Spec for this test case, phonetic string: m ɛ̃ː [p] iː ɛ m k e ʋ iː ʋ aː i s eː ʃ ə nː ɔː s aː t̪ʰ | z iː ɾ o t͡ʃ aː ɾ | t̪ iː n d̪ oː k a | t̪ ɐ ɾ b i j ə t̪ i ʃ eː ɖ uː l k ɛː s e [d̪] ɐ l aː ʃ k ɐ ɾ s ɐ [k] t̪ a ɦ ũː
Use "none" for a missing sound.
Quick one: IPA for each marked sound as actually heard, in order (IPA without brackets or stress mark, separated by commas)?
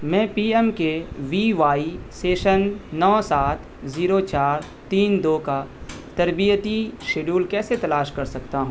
p, t̪, k